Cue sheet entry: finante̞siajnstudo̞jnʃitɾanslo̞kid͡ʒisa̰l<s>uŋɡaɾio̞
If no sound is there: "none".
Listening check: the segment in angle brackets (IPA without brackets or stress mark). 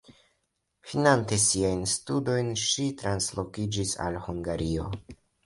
h